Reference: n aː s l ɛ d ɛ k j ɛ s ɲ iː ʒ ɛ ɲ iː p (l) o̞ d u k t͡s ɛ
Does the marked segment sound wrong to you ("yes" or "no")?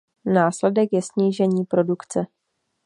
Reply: yes